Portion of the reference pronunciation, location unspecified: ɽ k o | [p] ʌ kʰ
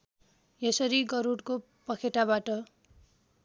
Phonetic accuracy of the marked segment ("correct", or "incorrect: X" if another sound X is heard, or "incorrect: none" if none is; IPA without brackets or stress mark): correct